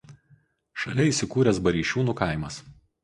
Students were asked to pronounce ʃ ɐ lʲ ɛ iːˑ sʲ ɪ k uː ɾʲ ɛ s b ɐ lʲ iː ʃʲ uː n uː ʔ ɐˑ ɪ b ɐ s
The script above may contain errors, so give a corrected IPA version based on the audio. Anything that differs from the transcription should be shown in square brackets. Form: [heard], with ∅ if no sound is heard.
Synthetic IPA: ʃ ɐ lʲ ɛ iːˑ sʲ ɪ k uː ɾʲ ɛ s b ɐ [ɾʲ] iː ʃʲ uː n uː [k] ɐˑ ɪ [m] ɐ s